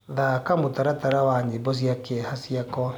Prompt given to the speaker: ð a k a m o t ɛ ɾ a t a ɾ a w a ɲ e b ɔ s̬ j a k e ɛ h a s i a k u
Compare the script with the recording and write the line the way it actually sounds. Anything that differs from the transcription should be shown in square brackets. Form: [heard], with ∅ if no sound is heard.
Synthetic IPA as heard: ð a k a m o t [a] ɾ a t a ɾ a w a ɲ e b ɔ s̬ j a k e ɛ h a s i a k [ɔ]